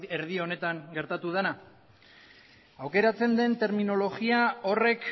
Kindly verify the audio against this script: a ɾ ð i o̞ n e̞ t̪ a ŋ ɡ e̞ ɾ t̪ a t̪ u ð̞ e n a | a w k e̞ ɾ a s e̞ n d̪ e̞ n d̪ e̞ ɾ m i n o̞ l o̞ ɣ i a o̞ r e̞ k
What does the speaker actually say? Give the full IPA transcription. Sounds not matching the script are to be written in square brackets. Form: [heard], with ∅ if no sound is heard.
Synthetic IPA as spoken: [e] ɾ ð i o̞ n e̞ t̪ a ŋ ɡ e̞ ɾ t̪ a t̪ u ð̞ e n a | a w k e̞ ɾ a [t͡s] e̞ n d̪ e̞ n [t̪] e̞ ɾ m i n o̞ l o̞ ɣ i a o̞ r e̞ k